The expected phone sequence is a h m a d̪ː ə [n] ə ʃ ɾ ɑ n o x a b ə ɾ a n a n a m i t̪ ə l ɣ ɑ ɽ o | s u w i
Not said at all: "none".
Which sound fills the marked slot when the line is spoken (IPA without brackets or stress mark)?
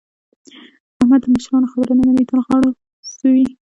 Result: m